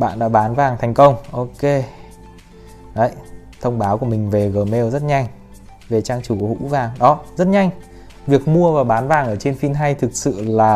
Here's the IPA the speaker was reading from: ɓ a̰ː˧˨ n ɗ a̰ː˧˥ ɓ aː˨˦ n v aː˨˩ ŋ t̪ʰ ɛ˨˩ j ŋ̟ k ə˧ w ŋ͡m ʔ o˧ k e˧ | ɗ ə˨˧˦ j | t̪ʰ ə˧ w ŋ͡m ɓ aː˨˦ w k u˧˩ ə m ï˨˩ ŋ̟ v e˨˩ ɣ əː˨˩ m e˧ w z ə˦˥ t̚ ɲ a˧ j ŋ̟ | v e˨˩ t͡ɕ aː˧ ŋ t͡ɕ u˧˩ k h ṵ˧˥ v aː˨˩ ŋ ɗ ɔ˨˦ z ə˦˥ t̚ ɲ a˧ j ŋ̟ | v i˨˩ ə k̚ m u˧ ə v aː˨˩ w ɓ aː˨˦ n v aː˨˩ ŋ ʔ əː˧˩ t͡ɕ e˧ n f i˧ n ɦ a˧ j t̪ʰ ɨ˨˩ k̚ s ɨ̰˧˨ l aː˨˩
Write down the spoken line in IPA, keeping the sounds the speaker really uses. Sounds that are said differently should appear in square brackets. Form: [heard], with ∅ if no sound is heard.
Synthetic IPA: ɓ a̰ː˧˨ n ɗ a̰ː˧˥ ɓ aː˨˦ n v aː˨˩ ŋ t̪ʰ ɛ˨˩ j ŋ̟ k ə˧ w ŋ͡m ʔ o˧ k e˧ | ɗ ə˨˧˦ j | t̪ʰ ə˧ w ŋ͡m ɓ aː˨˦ w k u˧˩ ə m ï˨˩ ŋ̟ v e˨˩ ɣ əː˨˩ m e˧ w z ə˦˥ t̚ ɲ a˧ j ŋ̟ | v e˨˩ t͡ɕ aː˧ ŋ t͡ɕ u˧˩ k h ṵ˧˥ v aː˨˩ ŋ ɗ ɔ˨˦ z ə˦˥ t̚ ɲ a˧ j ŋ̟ | v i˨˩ ə k̚ m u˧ ə v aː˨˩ w ɓ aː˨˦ n v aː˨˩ ŋ ʔ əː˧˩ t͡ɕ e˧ n f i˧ n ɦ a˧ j t̪ʰ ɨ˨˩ k̚ s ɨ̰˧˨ l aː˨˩